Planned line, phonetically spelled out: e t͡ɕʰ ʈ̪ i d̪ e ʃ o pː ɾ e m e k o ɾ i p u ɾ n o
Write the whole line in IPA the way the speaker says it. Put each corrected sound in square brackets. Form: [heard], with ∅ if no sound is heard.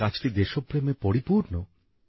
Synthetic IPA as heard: [a] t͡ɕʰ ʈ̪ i d̪ e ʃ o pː ɾ e m e [p] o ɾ i p u ɾ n o